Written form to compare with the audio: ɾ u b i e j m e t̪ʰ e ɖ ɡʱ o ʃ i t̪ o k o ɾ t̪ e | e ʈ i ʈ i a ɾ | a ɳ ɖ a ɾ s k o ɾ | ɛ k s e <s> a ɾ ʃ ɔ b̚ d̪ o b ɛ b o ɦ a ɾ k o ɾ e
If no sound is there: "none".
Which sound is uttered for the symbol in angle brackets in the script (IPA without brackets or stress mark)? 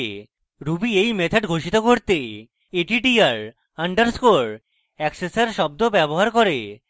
s